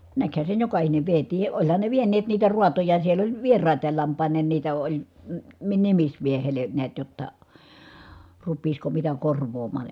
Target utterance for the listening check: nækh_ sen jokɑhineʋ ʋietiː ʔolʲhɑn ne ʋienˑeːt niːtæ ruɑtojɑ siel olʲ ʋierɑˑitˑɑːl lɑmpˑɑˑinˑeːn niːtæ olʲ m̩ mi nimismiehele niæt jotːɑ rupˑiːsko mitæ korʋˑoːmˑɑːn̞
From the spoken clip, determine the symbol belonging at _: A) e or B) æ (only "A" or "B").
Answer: B